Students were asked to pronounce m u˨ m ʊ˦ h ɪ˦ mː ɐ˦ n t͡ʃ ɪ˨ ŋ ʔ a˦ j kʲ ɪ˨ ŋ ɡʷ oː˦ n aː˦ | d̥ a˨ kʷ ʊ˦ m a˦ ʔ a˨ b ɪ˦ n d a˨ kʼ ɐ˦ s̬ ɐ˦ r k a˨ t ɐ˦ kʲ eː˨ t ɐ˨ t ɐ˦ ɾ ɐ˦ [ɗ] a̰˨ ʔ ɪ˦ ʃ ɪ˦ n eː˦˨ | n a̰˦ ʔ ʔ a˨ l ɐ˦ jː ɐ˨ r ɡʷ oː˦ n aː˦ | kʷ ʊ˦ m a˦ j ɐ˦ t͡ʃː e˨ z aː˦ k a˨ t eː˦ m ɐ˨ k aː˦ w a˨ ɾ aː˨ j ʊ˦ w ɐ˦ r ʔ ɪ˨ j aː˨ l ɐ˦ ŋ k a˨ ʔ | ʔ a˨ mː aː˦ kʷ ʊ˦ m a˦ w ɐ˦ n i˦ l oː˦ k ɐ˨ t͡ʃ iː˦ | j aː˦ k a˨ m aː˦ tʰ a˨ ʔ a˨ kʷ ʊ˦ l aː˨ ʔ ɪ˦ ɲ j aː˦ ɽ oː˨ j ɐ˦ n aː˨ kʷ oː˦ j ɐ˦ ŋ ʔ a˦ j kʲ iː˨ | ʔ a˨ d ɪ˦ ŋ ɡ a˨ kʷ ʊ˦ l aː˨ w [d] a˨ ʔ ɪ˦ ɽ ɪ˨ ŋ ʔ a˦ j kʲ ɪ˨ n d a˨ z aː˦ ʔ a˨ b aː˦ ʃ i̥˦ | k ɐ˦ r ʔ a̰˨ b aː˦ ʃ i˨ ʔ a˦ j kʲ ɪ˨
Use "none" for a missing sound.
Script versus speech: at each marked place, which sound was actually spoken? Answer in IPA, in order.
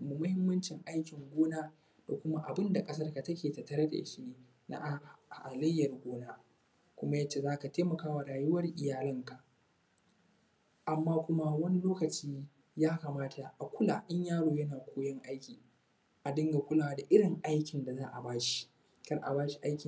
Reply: d, d

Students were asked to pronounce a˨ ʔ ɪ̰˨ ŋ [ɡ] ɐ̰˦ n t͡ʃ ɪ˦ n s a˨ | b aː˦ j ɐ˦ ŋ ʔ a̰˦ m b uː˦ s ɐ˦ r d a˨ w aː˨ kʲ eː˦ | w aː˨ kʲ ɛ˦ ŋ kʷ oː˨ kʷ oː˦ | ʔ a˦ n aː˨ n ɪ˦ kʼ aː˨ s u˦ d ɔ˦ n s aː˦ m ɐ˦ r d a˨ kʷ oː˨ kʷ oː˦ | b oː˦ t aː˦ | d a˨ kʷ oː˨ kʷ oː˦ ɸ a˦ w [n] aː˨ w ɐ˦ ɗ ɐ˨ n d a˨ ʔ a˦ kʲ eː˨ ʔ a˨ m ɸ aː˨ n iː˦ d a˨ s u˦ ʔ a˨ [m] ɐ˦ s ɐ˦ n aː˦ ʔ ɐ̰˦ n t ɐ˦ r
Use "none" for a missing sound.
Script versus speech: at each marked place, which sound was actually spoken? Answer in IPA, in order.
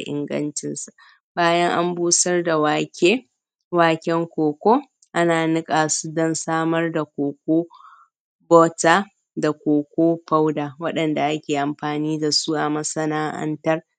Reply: ɡ, d, m

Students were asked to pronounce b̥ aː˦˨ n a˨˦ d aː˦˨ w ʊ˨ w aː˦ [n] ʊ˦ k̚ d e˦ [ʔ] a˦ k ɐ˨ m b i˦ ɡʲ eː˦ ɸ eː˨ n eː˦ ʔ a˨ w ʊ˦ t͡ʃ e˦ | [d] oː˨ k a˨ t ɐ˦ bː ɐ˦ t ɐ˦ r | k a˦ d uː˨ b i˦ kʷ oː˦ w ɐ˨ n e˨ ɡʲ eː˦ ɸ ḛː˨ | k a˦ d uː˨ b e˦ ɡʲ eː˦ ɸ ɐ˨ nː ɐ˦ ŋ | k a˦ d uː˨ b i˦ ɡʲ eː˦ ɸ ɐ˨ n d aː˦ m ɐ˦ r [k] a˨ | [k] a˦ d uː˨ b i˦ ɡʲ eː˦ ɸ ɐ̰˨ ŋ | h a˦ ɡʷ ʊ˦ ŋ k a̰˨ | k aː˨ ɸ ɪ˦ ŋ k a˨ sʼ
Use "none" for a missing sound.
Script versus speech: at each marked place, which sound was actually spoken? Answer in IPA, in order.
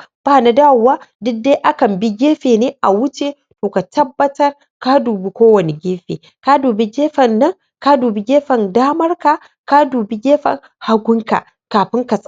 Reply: d, ʔ, t, k, k

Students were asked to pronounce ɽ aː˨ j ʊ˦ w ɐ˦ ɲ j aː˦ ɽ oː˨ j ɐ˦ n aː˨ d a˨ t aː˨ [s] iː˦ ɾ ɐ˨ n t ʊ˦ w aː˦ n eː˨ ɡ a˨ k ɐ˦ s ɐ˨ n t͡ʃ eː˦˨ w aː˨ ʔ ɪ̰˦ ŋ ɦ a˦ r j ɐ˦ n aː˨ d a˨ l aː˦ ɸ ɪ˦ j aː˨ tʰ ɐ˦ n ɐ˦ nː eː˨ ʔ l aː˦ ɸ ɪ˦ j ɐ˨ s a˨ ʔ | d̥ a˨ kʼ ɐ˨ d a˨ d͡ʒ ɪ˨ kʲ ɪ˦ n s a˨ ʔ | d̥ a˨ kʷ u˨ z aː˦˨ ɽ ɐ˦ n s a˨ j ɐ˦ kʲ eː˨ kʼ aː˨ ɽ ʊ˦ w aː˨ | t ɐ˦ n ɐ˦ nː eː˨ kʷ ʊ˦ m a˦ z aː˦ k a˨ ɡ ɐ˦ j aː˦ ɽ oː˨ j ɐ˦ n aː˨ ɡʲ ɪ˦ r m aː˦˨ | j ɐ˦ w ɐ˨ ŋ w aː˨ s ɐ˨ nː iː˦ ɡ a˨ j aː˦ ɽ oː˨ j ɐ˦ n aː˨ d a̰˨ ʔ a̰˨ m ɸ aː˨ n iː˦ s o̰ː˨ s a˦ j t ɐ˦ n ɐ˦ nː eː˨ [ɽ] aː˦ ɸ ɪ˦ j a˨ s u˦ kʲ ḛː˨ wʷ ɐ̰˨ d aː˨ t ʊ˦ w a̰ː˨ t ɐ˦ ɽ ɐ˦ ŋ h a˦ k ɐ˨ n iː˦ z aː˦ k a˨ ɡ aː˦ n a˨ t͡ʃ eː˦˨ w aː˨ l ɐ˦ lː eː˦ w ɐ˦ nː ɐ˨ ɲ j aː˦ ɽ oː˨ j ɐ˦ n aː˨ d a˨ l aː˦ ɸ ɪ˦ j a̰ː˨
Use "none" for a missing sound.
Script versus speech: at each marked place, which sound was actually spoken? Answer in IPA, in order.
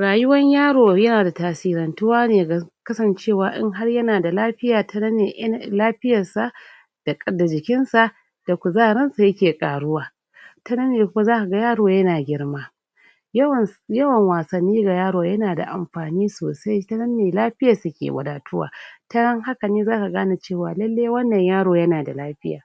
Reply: s, l

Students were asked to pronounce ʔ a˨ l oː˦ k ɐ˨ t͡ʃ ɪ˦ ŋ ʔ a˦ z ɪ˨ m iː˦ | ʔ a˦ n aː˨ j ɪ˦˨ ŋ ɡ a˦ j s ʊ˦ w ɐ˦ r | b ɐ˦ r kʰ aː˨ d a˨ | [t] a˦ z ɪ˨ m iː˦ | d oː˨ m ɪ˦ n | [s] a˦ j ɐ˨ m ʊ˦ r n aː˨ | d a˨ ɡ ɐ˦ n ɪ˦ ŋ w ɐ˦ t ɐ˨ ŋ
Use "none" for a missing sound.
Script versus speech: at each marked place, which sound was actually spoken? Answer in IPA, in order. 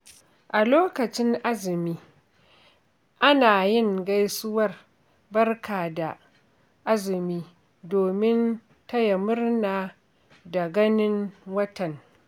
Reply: ʔ, t

